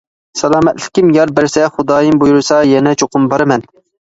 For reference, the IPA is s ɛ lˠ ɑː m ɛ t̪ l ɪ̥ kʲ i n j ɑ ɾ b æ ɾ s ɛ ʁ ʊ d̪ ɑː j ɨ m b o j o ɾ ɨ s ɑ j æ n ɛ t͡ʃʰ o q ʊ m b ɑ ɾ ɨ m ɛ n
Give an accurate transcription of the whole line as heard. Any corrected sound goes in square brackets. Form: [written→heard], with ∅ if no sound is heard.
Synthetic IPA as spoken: s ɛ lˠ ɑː m ɛ t̪ l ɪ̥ kʲ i [n→m] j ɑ ɾ b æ ɾ s ɛ [ʁ→χ] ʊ d̪ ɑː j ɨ m b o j [o→u] ɾ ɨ s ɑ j [æ→ɛ] n ɛ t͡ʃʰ o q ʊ m b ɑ ɾ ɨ m ɛ n